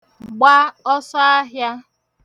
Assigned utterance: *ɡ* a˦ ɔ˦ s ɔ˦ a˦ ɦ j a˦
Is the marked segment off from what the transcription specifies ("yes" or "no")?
yes